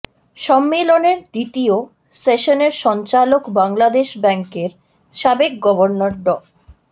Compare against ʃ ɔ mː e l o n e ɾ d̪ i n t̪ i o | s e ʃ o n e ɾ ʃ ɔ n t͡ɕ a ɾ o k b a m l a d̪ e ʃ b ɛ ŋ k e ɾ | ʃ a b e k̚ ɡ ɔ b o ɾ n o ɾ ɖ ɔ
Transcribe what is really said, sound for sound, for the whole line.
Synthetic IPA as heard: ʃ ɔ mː e l o n e ɾ d̪ i t̪ i o | s e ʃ o n e ɾ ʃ ɔ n t͡ɕ a l o k b a ŋ l a d̪ e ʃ b ɛ ŋ k e ɾ | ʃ a b e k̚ ɡ ɔ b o ɾ n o ɾ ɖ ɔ

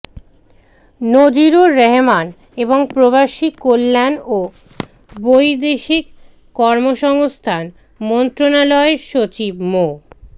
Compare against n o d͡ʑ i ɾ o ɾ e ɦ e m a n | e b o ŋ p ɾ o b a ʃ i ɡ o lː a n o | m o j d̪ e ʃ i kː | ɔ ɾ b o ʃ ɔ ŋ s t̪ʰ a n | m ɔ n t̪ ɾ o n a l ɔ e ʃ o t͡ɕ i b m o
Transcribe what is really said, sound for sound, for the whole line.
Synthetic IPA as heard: n o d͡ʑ i ɾ o ɾ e ɦ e m a n | e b o ŋ p ɾ o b a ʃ i k o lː a n o | b o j d̪ e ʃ i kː | ɔ ɾ m o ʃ ɔ ŋ s t̪ʰ a n | m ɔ n t̪ ɾ o n a l ɔ e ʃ o t͡ɕ i b m o

